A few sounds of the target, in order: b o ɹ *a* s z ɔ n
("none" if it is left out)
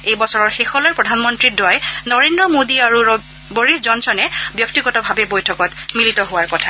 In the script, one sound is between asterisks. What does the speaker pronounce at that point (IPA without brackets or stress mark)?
i